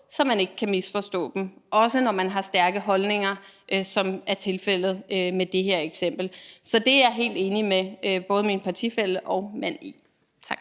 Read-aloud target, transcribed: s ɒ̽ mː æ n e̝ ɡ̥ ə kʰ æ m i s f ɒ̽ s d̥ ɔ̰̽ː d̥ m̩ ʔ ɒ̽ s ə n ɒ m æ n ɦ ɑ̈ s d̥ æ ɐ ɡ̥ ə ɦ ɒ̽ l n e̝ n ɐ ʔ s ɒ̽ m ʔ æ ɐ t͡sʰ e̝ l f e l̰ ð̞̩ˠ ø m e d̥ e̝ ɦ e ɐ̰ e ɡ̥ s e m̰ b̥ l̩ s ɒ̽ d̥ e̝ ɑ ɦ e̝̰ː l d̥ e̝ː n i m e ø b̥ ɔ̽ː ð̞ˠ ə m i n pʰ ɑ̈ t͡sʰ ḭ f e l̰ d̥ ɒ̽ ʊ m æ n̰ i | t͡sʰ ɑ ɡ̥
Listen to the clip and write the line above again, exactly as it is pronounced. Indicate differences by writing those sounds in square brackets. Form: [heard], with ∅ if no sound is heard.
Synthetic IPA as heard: s ɒ̽ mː æ n e̝ ɡ̥ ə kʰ æ m i s f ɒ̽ s d̥ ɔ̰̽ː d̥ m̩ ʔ ɒ̽ s ə n ɒ m æ n ɦ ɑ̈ s d̥ æ ɐ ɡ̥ ə ɦ ɒ̽ l n e̝ [ŋ] ɐ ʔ s ɒ̽ m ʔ æ ɐ t͡sʰ e̝ l f e l̰ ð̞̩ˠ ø m e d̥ e̝ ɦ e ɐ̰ e ɡ̥ s e m̰ b̥ l̩ s ɒ̽ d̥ e̝ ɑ ɦ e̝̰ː l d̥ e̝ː n i m e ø b̥ ɔ̽ː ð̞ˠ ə m i n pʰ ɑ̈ t͡sʰ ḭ f e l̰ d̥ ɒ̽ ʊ m æ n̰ i | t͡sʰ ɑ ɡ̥

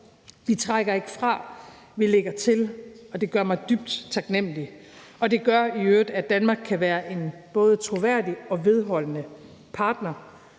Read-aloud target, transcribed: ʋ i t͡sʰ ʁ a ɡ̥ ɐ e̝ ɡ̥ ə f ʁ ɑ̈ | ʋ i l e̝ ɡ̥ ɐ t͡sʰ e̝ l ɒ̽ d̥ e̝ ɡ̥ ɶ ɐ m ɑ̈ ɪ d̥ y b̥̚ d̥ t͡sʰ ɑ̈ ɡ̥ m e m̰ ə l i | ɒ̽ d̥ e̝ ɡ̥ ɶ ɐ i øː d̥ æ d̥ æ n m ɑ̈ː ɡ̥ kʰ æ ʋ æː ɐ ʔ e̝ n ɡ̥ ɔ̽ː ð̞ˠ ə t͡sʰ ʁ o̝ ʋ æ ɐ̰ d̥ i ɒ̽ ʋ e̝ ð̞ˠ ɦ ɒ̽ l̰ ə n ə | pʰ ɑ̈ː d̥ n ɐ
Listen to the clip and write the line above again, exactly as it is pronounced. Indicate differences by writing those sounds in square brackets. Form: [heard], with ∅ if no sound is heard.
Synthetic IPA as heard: ʋ i t͡sʰ ʁ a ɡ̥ ɐ e̝ ɡ̥ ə f ʁ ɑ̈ | ʋ i l e̝ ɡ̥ ɐ t͡sʰ e̝ l ɒ̽ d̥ e̝ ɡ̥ ɶ ɐ m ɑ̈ ɪ d̥ y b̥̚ d̥ t͡sʰ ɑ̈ ɡ̥ [n] e m̰ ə l i | ɒ̽ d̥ e̝ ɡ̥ ɶ ɐ i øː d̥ æ d̥ æ n m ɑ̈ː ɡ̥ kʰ æ ʋ æː ɐ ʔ e̝ n [b̥] ɔ̽ː ð̞ˠ ə t͡sʰ ʁ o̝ ʋ æ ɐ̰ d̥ i ɒ̽ ʋ e̝ ð̞ˠ ɦ ɒ̽ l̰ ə n ə | pʰ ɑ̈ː d̥ n ɐ

